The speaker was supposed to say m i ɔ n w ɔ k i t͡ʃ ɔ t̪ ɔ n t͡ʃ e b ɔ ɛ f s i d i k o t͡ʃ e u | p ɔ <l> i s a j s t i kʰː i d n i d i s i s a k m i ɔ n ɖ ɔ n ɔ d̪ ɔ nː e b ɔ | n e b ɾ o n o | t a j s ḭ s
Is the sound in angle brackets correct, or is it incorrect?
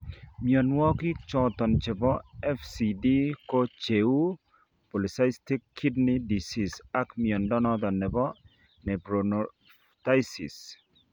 correct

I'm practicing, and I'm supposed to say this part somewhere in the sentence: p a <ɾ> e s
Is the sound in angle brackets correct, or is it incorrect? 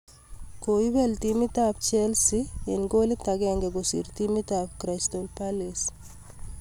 incorrect: l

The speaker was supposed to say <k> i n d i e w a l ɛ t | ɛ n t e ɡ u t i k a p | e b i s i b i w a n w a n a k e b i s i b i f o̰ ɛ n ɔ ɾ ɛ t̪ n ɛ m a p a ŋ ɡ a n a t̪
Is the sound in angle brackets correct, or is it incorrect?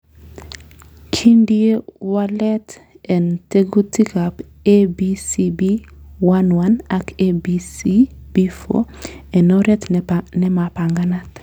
incorrect: kʰ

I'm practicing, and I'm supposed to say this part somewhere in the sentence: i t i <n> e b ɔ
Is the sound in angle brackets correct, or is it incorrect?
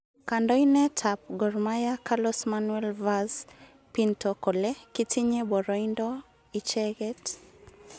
incorrect: ɲ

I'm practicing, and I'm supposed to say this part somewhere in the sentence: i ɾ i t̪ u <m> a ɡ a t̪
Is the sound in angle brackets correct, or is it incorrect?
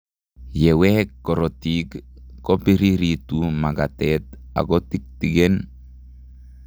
correct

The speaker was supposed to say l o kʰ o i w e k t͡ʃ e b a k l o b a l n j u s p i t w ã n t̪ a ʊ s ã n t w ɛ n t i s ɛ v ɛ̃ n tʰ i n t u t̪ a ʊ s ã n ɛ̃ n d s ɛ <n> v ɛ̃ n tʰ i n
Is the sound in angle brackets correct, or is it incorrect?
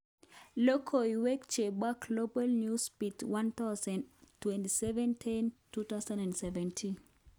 incorrect: none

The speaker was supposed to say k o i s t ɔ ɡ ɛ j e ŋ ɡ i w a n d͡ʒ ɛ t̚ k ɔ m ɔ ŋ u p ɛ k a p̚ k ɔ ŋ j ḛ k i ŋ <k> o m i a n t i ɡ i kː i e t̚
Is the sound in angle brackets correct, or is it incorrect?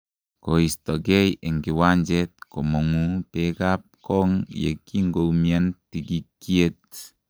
incorrect: ɡ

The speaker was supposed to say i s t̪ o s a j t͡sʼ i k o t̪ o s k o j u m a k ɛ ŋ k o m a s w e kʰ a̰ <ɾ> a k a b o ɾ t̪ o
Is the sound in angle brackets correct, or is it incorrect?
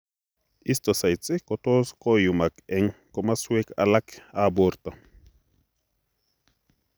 incorrect: l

